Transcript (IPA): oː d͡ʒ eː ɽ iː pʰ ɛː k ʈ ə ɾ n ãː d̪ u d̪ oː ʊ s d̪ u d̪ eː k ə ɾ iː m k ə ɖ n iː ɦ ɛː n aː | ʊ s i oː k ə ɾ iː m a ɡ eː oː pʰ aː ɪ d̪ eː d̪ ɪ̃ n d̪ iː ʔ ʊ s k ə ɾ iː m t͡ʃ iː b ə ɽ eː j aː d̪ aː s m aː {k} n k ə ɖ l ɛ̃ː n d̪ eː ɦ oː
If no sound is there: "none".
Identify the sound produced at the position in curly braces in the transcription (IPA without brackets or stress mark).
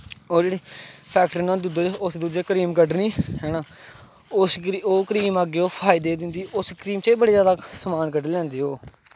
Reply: none